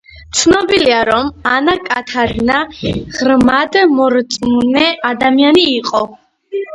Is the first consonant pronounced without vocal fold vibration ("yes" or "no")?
yes